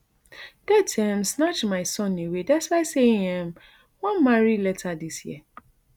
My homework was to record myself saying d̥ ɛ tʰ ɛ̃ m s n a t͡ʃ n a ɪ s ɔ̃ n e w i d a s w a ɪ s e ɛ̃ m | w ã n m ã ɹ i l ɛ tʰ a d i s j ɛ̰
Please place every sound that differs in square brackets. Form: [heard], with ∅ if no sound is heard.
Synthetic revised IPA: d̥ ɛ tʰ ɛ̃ m s n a t͡ʃ [m] a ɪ s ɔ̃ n e w [e] d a s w a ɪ s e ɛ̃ m | w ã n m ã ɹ i l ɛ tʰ a d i s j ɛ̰